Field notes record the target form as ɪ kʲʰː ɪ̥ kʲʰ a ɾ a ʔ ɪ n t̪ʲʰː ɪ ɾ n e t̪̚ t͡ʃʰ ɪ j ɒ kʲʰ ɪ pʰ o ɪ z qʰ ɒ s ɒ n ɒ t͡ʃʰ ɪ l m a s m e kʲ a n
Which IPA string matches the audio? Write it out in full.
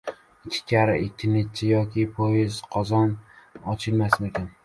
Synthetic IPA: ɪ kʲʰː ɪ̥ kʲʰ a ɾ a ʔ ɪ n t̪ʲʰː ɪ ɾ n e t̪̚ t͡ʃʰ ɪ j ɒ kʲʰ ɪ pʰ o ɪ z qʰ ɒ z ɒ n ɒ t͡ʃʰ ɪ l m a s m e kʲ a n

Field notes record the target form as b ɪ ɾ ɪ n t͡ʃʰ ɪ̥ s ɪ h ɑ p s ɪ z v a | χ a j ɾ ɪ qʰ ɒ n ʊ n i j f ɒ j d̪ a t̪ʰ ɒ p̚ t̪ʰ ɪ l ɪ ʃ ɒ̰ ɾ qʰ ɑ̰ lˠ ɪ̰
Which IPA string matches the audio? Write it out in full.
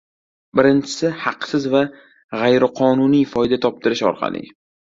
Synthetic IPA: b ɪ ɾ ɪ n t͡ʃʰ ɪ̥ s ɪ h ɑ q s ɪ z v a | ʁ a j ɾ ɪ qʰ ɒ n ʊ n i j f ɒ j d̪ a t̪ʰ ɒ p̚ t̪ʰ ɪ ɾ ɪ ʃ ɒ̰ ɾ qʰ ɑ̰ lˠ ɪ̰

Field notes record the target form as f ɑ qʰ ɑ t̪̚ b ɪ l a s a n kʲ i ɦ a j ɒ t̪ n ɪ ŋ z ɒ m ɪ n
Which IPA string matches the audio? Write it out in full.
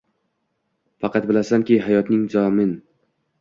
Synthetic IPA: f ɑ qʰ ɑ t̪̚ b ɪ l a s a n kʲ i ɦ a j ɒ t̪ n ɪ ŋ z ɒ m ɪ n

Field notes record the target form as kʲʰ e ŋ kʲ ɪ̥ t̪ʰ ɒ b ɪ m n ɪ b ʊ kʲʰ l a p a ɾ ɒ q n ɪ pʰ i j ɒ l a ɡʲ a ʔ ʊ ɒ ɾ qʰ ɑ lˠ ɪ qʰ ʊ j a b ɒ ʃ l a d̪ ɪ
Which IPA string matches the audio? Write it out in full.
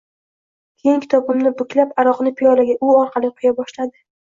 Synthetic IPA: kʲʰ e ŋ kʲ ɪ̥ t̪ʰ ɒ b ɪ m n ɪ b ʊ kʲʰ l a p a ɾ ɒ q n ɪ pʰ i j ɒ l a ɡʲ a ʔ ʊ ɒ ɾ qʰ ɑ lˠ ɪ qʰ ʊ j a b ɒ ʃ l a d̪ ɪ

